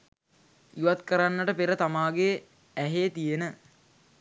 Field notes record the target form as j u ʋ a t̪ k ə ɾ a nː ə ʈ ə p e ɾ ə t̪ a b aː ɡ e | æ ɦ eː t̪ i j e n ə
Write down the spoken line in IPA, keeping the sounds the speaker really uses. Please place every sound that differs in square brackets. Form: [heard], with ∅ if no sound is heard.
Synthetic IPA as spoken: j u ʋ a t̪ k ə ɾ a nː ə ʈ ə p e ɾ ə t̪ a [m] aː ɡ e | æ ɦ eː t̪ i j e n ə